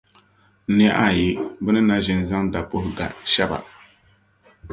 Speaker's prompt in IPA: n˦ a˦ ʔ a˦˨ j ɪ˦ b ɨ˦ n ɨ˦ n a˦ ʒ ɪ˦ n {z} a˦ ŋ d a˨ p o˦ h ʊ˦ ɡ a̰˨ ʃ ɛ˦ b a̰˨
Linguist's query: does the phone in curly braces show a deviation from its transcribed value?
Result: no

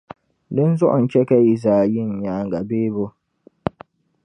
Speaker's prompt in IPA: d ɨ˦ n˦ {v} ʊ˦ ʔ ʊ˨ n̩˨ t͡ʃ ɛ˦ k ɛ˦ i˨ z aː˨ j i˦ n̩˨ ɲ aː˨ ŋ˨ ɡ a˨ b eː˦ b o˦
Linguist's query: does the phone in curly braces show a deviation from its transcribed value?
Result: yes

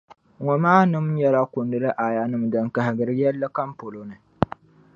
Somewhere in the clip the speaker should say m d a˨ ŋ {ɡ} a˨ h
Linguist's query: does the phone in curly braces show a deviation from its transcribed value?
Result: yes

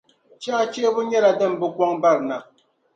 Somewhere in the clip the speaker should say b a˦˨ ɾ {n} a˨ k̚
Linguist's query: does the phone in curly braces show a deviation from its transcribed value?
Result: no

